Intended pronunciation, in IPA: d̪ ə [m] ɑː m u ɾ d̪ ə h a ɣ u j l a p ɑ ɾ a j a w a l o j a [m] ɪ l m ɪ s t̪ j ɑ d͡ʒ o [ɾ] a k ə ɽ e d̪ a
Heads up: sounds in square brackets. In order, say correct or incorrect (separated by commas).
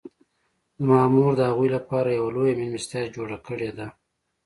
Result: correct, correct, incorrect